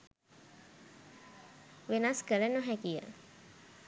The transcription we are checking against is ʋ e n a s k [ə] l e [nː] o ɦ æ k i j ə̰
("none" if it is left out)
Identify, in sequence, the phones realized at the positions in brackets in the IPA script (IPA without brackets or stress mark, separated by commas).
ə, n